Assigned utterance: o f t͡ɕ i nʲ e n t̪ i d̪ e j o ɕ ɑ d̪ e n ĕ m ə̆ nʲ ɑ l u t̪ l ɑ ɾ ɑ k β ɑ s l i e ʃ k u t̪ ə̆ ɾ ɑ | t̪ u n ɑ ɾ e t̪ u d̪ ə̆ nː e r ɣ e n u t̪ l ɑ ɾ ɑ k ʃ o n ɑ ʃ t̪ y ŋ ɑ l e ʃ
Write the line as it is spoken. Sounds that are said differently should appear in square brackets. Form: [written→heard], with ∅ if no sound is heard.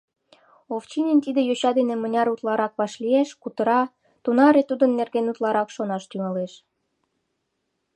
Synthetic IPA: o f t͡ɕ i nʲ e n t̪ i d̪ e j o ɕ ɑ d̪ e n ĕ m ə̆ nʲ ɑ [l→ɾ] u t̪ l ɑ ɾ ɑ k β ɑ [s→ʃ] l i e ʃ k u t̪ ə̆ ɾ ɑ | t̪ u n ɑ ɾ e t̪ u d̪ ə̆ nː e r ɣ e n u t̪ l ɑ ɾ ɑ k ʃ o n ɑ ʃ t̪ y ŋ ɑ l e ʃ